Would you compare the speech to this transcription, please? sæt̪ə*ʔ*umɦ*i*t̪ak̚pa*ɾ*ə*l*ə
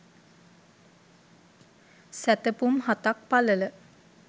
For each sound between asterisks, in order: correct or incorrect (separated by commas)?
incorrect, incorrect, incorrect, correct